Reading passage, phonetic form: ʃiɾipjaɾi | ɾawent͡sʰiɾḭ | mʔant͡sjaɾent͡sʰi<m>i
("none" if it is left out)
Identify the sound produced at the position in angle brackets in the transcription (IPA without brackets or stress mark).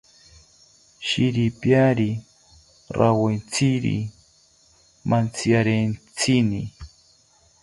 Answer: n